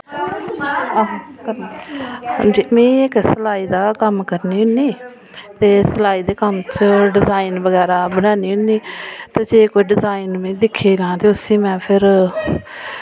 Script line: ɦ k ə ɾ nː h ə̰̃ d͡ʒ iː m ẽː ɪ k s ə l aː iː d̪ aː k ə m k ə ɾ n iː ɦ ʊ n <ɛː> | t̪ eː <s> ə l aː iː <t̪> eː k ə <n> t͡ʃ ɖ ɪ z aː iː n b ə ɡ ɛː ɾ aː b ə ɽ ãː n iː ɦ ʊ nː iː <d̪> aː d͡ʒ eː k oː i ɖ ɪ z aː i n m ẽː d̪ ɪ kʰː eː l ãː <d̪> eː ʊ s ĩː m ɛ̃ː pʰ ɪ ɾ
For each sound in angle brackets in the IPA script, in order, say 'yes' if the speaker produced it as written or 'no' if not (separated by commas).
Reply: no, yes, no, no, no, no